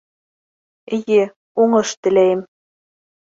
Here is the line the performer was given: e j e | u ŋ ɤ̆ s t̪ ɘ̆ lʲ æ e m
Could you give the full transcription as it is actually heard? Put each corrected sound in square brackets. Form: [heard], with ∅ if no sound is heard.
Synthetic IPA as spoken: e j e | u ŋ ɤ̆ [ʃ] t̪ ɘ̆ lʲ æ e m